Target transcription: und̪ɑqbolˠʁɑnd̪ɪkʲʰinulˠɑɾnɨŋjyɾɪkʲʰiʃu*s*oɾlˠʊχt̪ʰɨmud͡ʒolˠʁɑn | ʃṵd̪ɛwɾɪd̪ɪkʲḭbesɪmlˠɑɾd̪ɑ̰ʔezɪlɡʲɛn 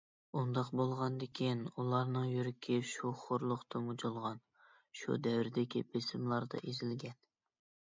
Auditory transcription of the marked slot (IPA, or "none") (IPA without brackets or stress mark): χ